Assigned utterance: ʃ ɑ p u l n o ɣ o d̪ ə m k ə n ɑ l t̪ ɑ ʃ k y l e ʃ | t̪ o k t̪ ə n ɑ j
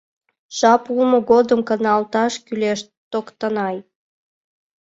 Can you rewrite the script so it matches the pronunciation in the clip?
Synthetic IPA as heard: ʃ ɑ p u l m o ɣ o d̪ ə m k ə n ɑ l t̪ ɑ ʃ k y l e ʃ | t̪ o k t̪ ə n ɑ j

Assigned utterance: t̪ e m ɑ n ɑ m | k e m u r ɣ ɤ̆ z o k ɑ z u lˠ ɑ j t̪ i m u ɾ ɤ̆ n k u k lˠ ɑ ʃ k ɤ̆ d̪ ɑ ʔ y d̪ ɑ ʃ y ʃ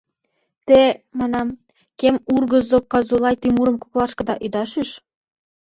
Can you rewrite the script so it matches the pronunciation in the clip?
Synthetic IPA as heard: t̪ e m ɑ n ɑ m | k e m u r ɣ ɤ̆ z o k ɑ z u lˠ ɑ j t̪ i m u ɾ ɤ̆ m k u k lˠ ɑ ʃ k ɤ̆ d̪ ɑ ʔ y d̪ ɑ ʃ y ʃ

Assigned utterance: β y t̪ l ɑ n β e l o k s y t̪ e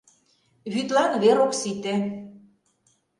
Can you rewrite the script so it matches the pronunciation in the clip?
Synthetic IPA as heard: β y t̪ l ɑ n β e ɾ o k s i t̪ e

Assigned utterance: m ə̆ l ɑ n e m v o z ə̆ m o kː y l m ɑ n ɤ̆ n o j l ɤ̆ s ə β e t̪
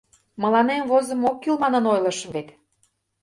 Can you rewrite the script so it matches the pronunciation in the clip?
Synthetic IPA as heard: m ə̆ l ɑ n e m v o z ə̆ m o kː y l m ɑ n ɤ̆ n o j l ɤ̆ ʃ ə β e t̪

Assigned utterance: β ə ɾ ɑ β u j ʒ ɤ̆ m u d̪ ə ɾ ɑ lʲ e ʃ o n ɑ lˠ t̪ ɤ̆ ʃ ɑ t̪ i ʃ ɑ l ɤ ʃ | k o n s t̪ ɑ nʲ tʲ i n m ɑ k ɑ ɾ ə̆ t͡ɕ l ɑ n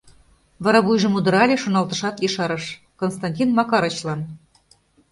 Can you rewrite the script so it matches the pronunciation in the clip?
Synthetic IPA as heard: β ɑ ɾ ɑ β u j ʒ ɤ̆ m u d̪ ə ɾ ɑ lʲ e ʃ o n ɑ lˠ t̪ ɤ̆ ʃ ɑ t̪ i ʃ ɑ ɾ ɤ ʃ | k o n s t̪ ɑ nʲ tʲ i n m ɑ k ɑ ɾ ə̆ t͡ɕ l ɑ n

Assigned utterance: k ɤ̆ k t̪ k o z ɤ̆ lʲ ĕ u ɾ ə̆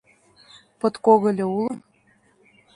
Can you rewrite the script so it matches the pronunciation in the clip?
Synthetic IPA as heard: p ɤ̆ t̪ k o ɣ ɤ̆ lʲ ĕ u l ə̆

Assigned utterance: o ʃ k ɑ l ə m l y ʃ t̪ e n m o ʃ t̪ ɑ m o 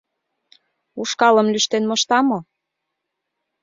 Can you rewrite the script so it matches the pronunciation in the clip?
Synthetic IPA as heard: u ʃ k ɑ l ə m l y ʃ t̪ e n m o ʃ t̪ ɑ m o

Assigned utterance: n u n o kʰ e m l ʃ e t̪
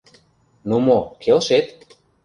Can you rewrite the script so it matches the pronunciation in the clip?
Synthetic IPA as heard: n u m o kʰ e l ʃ e t̪

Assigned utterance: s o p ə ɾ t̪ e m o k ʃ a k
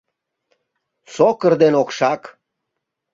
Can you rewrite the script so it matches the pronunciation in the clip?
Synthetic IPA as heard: s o k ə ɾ d̪ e n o k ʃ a k

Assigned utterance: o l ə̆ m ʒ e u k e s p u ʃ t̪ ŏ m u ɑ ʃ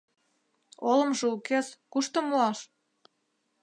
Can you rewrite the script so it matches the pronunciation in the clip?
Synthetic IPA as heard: o l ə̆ m ʒ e u k e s k u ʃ t̪ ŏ m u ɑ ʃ

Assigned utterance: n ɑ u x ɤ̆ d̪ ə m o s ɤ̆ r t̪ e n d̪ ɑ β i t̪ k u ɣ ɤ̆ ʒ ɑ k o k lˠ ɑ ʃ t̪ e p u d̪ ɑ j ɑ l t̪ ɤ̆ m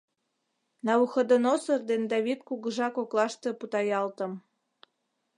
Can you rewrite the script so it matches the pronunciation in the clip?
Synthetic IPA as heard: n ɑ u x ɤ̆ d̪ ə n o s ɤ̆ r d̪ e n d̪ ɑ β i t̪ k u ɣ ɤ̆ ʒ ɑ k o k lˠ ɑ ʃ t̪ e p u t̪ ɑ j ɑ l t̪ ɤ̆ m

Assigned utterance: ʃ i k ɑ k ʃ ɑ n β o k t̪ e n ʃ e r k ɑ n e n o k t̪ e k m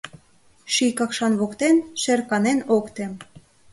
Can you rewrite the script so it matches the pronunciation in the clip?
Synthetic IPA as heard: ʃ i k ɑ k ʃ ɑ n β o k t̪ e n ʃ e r k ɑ n e n o k t̪ e m

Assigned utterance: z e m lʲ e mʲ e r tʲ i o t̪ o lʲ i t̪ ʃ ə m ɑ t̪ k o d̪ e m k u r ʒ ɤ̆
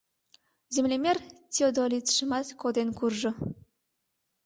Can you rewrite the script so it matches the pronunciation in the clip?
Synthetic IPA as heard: z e m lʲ e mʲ e r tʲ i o d̪ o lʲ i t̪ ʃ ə m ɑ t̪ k o d̪ e n k u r ʒ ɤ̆

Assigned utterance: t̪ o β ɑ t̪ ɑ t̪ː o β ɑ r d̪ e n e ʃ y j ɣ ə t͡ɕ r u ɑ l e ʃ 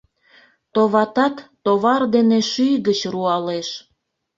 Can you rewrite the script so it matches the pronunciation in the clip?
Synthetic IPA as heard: t̪ o β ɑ t̪ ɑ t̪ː o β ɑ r d̪ e n e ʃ y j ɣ ə t͡ɕ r u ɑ l e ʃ

